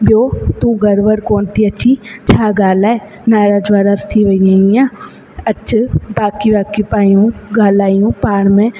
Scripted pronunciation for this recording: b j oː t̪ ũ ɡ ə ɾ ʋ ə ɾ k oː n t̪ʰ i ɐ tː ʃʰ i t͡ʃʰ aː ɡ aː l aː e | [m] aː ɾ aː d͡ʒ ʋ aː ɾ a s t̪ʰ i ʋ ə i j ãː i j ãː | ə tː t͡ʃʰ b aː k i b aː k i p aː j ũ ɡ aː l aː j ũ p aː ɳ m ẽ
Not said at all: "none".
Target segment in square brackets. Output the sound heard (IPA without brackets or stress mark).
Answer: n